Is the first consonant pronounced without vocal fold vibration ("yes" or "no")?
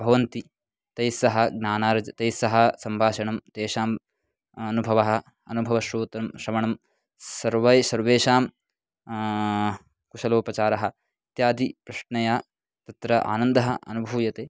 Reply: no